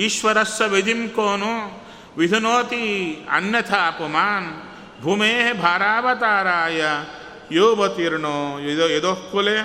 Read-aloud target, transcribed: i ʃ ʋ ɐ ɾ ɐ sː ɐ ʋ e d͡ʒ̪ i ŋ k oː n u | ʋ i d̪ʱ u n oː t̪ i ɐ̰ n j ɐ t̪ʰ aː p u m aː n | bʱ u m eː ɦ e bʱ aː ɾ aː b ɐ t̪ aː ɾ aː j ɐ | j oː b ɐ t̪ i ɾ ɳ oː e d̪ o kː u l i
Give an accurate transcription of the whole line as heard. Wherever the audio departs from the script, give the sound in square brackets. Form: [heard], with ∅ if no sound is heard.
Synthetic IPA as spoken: i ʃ ʋ ɐ ɾ ɐ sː ɐ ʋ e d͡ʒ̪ i [m] k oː n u | ʋ i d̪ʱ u n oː t̪ i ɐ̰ n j ɐ t̪ʰ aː p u m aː n | bʱ u m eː ɦ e bʱ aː ɾ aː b ɐ t̪ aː ɾ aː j ɐ | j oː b ɐ t̪ i ɾ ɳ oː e d̪ o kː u l [e]